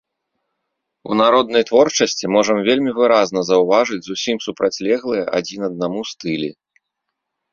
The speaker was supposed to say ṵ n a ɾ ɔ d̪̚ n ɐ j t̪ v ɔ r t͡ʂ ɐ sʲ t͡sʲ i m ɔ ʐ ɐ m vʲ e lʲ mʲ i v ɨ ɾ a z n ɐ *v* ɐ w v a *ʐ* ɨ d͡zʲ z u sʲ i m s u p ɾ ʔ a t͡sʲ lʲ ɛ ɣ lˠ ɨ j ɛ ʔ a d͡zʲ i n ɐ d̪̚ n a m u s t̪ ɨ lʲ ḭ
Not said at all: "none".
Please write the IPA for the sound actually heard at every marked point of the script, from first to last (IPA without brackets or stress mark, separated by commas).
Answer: z, ʐ